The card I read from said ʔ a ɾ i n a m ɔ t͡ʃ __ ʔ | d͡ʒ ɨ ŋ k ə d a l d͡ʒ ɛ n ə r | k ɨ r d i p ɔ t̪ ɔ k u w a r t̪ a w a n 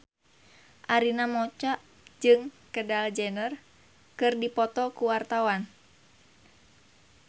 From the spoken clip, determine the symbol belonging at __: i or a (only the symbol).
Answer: a